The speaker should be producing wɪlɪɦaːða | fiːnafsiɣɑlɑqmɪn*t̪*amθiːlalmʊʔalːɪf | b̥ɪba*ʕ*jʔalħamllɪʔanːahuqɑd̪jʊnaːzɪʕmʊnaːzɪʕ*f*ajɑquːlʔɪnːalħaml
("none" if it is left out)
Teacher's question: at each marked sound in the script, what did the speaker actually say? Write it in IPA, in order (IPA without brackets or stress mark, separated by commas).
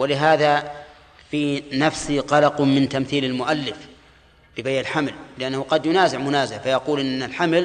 t̪, none, f